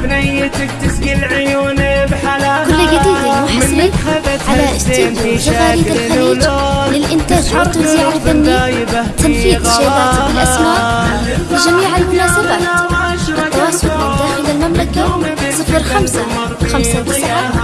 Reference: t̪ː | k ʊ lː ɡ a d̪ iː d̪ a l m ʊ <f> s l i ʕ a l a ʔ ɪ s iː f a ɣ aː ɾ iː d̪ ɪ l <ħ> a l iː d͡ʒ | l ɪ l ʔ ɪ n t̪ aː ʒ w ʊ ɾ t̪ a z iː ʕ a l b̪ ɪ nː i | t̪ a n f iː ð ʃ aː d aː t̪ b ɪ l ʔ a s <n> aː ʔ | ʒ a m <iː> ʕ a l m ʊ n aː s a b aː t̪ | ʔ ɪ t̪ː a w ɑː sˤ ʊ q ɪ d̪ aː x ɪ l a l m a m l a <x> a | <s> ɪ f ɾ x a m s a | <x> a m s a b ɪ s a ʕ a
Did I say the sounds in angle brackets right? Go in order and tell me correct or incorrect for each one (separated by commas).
incorrect, incorrect, incorrect, correct, incorrect, correct, correct